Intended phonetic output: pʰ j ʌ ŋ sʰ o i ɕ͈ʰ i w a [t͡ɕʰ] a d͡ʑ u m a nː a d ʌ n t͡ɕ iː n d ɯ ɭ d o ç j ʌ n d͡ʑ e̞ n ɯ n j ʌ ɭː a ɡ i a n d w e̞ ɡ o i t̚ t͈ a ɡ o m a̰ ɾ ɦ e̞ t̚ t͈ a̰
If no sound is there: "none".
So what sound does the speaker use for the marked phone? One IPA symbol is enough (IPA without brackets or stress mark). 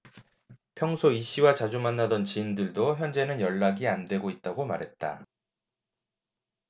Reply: t͡ɕ